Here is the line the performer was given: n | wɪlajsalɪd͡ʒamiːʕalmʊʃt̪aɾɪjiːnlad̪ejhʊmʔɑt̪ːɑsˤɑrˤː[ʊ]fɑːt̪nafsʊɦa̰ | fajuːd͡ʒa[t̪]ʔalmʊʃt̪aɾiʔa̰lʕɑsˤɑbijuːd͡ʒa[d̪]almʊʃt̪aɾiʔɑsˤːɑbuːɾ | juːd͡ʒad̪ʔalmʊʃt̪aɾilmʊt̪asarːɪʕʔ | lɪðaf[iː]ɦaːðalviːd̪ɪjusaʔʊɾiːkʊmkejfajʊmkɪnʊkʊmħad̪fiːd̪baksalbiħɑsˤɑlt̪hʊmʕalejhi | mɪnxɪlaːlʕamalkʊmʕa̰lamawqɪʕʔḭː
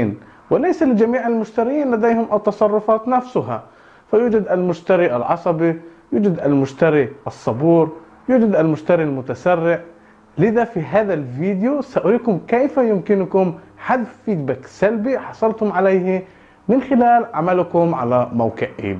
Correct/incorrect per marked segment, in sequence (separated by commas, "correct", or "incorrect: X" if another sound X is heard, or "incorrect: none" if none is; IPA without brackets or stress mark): correct, incorrect: d̪, correct, incorrect: i